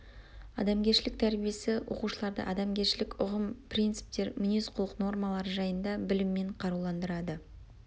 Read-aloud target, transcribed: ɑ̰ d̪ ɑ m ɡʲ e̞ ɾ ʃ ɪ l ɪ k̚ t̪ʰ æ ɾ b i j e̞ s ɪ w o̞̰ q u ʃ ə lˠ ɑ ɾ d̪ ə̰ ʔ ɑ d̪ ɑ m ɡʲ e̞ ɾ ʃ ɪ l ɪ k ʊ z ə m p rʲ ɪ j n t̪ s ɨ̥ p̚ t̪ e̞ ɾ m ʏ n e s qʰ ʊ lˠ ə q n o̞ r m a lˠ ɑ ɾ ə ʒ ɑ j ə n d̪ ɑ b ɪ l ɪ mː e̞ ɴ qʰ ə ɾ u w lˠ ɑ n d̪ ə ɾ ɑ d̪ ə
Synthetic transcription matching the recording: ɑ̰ d̪ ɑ m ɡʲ e̞ ɾ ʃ ɪ l ɪ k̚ t̪ʰ æ ɾ b i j e̞ s ɪ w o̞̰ q u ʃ ə lˠ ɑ ɾ d̪ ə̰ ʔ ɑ d̪ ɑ m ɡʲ e̞ ɾ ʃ ɪ l ɪ k ʊ ʁ ə m p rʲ i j n t̪ s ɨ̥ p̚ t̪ e̞ ɾ m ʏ n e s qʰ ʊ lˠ ə q n o̞ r m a lˠ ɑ ɾ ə ʒ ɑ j ə n d̪ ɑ b ɪ l ɪ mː e̞ ɴ qʰ ɑ ɾ u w lˠ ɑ n d̪ ə ɾ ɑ d̪ ə